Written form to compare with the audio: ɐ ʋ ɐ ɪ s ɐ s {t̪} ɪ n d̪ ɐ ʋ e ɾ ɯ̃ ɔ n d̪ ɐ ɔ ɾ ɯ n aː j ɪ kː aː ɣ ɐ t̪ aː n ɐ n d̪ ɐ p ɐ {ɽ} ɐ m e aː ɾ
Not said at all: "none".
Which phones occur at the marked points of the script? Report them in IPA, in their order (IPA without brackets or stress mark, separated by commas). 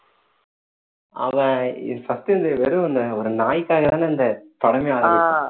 t̪, ɽ